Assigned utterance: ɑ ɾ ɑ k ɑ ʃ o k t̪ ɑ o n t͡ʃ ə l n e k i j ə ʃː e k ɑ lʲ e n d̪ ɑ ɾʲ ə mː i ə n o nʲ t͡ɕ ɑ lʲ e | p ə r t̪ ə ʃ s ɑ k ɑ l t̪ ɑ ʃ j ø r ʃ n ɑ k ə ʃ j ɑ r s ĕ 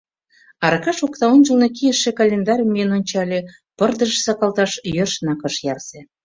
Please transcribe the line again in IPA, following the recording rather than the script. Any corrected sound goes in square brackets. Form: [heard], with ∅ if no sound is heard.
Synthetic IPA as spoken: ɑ ɾ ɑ k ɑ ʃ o k t̪ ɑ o n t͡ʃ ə l n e k i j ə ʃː e k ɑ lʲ e n d̪ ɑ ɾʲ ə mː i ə n o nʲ t͡ɕ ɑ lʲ e | p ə r [d̪] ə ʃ s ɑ k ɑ l t̪ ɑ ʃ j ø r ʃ n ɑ k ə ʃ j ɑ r s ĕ